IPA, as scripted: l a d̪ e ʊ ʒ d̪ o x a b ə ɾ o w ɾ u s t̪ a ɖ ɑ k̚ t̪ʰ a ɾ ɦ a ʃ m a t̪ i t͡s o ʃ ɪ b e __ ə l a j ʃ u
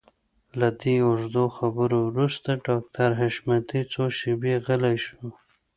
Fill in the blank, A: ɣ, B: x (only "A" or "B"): A